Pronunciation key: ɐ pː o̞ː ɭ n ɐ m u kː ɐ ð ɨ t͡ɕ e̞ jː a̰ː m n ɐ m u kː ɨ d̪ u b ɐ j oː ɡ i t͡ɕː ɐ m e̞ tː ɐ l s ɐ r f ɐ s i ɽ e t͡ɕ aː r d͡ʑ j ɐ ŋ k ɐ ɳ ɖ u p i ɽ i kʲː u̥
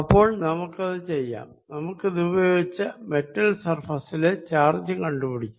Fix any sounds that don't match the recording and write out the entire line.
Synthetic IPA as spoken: ɐ pː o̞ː ɭ n ɐ m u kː ɐ ð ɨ t͡ɕ e̞ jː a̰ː m n ɐ m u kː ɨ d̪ u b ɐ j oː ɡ i t͡ɕː ɐ m e̞ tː ɐ l s ɐ r f ɐ s i l e t͡ɕ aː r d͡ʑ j ɐ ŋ k ɐ ɳ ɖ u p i ɽ i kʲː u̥